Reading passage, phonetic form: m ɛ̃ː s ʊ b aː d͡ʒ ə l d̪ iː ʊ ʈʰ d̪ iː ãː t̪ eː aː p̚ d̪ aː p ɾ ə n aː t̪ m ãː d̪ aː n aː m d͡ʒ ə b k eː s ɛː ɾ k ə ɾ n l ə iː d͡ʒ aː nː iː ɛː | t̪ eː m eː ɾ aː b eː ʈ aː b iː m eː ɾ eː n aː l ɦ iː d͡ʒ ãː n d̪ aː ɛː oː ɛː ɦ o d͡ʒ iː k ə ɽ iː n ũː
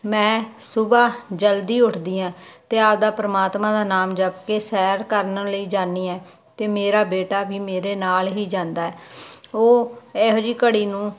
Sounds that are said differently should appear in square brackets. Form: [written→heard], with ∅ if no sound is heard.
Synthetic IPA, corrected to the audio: m ɛ̃ː s ʊ b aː d͡ʒ ə l d̪ iː ʊ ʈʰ d̪ iː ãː t̪ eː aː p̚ d̪ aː p ɾ ə [n→m] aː t̪ m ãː d̪ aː n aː m d͡ʒ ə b k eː s ɛː ɾ k ə ɾ n l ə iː d͡ʒ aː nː iː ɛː | t̪ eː m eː ɾ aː b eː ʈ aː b iː m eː ɾ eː n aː l ɦ iː d͡ʒ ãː n d̪ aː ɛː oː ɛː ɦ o d͡ʒ iː k ə ɽ iː n ũː